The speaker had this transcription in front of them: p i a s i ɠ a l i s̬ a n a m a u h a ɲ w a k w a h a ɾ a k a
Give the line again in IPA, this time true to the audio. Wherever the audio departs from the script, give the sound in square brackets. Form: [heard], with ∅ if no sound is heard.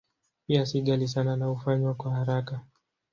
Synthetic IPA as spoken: p i a s i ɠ a l i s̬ a n a [n] a u [f] a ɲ w a k w a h a ɾ a k a